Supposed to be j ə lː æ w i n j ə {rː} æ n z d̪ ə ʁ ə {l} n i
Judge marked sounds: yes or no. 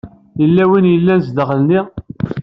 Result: no, yes

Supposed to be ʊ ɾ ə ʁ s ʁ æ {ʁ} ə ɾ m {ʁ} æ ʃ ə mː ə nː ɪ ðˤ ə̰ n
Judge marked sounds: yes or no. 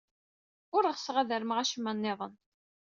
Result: no, yes

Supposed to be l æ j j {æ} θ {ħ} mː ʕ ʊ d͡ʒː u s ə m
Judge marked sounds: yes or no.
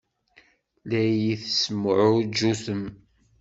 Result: no, no

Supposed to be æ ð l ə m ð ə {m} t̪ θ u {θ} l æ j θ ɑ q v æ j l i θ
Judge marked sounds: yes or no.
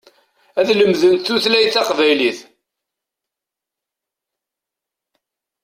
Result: no, yes

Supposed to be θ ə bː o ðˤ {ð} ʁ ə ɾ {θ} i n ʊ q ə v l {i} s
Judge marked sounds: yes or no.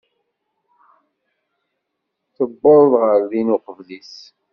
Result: yes, no, yes

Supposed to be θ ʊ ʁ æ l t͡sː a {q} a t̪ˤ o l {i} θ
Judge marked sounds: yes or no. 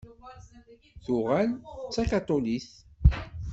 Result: no, yes

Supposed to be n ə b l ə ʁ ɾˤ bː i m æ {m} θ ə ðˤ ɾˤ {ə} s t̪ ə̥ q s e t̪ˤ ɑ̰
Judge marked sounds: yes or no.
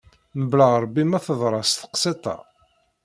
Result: no, no

